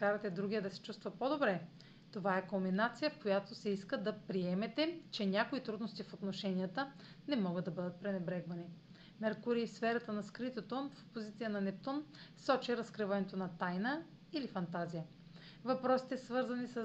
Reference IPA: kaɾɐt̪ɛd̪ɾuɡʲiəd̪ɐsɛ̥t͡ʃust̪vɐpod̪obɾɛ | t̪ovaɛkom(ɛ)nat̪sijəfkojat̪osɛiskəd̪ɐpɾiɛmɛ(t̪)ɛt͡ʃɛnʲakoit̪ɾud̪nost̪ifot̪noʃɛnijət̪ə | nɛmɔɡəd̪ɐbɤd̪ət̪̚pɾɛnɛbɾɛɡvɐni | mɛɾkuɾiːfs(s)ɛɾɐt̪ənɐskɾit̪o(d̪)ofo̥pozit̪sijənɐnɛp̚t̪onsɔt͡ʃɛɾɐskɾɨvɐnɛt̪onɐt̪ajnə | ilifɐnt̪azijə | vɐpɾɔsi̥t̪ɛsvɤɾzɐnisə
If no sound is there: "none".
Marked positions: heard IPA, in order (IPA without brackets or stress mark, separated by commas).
i, t̪, f, t̪